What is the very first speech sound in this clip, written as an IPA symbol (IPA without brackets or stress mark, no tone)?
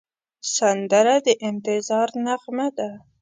s